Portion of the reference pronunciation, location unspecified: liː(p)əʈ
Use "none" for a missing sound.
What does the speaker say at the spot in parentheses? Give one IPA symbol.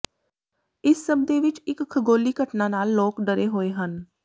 k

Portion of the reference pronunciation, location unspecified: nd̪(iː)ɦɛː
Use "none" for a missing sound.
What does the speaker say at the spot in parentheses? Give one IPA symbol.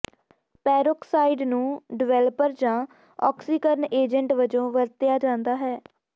aː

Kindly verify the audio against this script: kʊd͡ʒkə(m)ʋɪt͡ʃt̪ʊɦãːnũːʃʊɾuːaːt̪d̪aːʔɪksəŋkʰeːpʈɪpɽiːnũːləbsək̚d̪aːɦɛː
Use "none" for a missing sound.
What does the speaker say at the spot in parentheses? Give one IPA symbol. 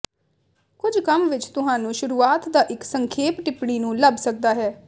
m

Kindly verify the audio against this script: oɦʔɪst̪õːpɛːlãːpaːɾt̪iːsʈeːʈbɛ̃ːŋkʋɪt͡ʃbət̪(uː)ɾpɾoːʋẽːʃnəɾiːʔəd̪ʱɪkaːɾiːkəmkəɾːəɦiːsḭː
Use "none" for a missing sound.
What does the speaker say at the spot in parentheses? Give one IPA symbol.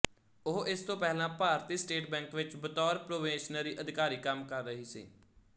ɔː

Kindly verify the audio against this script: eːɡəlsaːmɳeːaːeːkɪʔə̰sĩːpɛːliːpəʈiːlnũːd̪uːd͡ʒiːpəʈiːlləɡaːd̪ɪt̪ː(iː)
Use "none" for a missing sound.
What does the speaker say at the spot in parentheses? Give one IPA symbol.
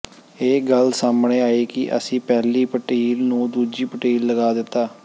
aː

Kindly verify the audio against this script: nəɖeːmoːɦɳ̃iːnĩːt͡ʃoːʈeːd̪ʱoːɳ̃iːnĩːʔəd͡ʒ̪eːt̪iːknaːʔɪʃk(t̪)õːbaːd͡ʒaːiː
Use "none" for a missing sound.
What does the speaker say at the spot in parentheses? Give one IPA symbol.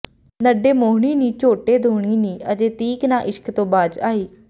t̪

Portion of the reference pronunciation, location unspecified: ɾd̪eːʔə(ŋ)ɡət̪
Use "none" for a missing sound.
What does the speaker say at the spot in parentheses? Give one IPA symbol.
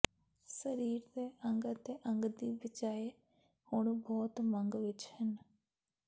ŋ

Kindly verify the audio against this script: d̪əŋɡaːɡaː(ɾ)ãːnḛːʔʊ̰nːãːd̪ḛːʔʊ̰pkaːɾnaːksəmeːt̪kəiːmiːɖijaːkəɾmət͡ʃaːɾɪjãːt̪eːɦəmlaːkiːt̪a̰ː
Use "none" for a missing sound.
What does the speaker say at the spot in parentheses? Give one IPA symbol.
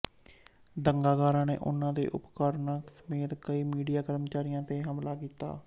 ɾ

